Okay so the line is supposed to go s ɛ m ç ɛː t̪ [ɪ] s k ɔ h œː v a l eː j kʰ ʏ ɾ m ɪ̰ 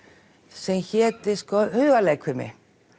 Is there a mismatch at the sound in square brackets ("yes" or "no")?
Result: no